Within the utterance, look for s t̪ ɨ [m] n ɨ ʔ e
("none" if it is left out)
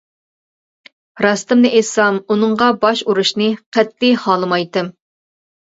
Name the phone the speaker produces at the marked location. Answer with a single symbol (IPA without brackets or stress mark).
m